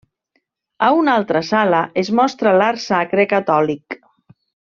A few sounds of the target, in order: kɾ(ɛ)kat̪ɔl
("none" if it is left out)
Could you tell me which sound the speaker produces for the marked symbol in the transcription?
e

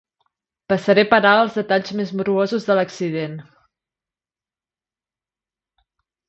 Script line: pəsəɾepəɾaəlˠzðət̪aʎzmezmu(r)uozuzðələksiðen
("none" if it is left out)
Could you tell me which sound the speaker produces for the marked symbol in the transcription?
ɾ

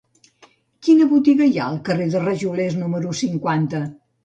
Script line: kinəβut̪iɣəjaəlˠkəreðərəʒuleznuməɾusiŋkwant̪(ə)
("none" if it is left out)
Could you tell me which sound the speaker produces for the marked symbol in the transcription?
ə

